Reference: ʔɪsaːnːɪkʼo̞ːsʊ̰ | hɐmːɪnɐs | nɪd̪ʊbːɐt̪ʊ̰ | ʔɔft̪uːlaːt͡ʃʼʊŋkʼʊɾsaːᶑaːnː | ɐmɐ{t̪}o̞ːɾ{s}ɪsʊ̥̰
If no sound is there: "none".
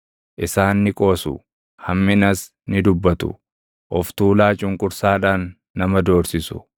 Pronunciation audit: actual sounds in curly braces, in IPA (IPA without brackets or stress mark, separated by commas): d̪, s